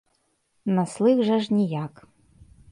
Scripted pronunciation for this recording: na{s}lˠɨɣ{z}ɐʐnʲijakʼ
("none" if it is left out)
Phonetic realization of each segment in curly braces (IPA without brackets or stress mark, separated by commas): s, ʐ